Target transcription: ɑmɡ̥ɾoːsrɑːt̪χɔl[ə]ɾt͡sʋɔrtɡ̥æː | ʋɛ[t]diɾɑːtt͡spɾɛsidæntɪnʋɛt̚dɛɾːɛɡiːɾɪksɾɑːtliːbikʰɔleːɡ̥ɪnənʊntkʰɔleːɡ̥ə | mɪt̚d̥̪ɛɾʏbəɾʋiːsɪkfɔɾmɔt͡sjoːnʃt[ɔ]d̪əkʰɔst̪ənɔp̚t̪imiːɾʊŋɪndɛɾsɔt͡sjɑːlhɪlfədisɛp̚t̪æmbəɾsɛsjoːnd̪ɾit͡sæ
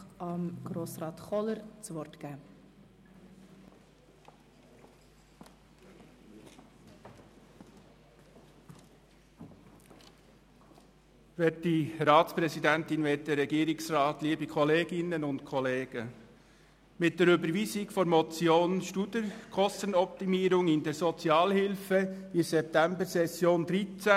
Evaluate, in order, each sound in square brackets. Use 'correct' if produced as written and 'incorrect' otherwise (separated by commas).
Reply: correct, correct, incorrect